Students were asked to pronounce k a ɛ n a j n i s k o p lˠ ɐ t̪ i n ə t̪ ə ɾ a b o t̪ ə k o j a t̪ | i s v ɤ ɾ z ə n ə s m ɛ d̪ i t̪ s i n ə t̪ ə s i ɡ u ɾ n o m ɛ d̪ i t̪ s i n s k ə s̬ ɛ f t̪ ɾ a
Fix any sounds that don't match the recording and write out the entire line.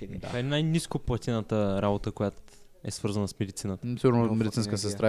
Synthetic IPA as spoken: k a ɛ n a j n i s k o p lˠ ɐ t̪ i n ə t̪ ə ɾ a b o t̪ ə k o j a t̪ | ɛ s v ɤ ɾ z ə n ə s m ɛ d̪ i t̪ s i n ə t̪ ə s i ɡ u ɾ n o m ɛ d̪ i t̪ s i n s k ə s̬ ɛ s t̪ ɾ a